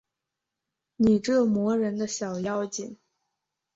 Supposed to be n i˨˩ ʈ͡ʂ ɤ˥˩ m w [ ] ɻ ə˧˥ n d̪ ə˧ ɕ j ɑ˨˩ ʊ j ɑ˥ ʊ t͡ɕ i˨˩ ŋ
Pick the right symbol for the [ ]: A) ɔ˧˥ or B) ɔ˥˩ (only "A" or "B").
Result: A